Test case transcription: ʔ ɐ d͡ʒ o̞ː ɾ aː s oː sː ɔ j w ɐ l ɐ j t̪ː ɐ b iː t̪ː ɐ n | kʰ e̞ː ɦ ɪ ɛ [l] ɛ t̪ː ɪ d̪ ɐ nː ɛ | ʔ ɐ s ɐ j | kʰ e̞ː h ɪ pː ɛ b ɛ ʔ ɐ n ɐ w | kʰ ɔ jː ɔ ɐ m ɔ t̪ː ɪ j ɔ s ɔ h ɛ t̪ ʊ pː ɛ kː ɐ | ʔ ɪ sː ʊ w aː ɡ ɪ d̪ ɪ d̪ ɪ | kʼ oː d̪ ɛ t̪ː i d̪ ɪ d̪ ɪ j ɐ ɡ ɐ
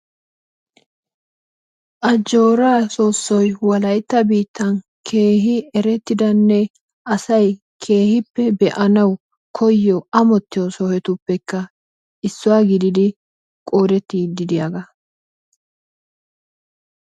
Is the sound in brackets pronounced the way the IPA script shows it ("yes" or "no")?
no